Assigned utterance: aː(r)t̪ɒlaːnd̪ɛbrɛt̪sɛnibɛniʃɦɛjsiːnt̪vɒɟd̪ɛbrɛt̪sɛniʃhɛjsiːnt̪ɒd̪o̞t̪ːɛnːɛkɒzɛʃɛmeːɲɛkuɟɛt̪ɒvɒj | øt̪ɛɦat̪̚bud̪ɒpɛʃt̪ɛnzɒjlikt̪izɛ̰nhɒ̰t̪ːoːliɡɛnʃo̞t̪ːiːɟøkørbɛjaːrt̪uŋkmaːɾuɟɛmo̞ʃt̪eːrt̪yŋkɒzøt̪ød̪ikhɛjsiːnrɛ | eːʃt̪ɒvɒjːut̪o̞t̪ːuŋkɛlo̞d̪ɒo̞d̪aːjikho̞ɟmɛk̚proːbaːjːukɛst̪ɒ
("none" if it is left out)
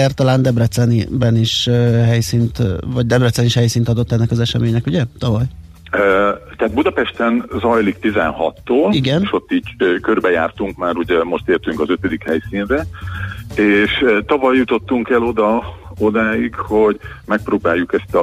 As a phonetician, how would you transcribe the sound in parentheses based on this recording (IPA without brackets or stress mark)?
r